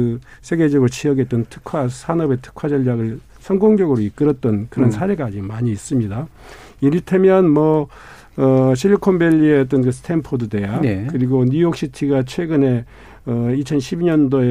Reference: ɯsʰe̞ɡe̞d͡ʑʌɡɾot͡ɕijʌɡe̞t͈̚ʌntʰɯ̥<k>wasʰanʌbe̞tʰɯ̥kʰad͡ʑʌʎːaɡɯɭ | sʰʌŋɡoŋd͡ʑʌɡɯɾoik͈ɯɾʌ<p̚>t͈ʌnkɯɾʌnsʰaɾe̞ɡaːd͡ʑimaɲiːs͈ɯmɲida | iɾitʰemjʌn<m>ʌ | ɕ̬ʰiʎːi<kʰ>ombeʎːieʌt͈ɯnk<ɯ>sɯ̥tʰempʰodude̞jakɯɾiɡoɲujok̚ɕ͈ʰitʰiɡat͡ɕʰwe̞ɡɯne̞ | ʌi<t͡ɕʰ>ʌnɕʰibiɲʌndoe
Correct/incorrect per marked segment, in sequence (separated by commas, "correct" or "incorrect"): incorrect, incorrect, correct, correct, correct, correct